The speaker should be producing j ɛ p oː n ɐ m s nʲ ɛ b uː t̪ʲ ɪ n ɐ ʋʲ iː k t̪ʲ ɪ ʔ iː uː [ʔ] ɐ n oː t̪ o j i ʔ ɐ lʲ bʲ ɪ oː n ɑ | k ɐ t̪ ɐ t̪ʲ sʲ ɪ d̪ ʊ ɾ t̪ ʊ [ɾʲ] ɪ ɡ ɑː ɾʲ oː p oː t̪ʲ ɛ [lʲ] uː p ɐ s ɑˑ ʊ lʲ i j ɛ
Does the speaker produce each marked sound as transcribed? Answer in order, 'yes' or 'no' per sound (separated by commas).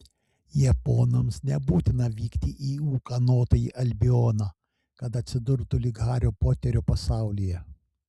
no, no, no